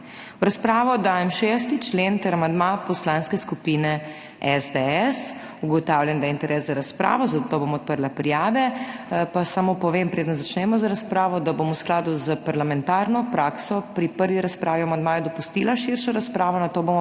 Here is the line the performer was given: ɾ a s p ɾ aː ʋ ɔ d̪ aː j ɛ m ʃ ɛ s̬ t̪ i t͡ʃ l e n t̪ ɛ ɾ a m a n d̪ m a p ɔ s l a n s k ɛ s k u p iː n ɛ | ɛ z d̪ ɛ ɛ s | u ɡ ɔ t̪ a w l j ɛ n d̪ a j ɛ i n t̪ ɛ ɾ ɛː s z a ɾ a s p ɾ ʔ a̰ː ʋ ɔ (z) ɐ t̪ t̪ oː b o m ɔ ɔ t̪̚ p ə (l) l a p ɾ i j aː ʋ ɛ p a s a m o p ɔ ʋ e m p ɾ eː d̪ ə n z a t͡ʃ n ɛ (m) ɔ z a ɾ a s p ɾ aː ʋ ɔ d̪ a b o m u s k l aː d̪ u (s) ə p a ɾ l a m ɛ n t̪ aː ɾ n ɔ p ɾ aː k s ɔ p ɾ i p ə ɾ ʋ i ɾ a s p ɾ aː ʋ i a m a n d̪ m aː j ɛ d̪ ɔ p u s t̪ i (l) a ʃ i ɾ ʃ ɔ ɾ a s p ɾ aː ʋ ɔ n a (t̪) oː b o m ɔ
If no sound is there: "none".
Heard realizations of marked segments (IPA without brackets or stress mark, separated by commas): z, ɾ, m, z, l, t̪